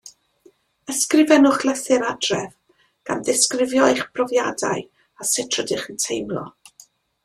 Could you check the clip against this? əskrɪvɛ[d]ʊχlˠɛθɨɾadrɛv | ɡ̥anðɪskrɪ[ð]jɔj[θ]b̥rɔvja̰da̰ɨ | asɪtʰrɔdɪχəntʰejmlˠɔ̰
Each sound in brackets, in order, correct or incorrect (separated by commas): incorrect, incorrect, incorrect